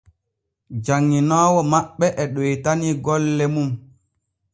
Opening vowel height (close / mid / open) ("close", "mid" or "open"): open